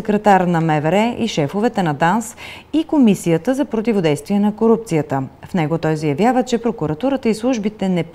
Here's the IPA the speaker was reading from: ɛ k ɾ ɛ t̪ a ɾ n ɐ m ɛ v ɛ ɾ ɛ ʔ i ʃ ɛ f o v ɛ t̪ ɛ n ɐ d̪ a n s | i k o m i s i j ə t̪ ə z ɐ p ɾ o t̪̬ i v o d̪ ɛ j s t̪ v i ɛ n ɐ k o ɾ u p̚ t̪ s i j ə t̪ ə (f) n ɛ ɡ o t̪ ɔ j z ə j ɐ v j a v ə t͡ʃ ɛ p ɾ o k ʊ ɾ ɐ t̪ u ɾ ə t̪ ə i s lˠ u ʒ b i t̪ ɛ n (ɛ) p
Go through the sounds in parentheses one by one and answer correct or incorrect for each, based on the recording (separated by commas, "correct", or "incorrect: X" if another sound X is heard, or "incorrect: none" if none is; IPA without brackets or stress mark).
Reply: correct, correct